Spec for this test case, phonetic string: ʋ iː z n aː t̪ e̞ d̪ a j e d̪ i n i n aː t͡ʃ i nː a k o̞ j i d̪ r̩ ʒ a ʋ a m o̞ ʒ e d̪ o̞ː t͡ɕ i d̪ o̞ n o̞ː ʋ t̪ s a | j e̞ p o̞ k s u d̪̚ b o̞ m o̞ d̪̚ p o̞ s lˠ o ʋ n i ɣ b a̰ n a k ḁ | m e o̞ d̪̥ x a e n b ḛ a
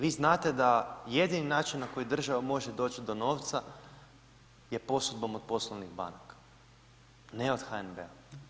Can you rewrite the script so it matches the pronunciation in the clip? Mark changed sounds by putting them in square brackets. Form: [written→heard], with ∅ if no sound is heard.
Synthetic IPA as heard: ʋ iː z n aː t̪ e̞ d̪ a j e d̪ i n i n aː t͡ʃ i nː a k o̞ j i d̪ r̩ ʒ a ʋ a m o̞ ʒ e d̪ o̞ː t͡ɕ i d̪ o̞ n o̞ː ʋ t̪ s a | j e̞ p o̞ [k→∅] s u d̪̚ b o̞ m o̞ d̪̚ p o̞ s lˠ o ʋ n i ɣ b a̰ n a k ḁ | [m→n] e o̞ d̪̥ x a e n b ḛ a